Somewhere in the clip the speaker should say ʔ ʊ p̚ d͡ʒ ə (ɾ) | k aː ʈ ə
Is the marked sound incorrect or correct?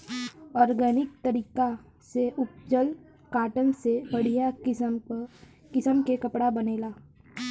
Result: incorrect